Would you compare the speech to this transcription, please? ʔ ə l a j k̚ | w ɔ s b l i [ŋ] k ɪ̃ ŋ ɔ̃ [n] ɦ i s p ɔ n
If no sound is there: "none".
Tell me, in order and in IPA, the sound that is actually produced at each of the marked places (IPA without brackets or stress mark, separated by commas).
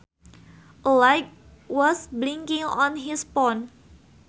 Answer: ŋ, n